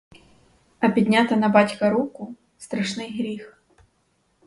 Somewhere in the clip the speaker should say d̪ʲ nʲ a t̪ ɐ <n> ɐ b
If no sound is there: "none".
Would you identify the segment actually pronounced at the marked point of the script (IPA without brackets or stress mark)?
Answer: n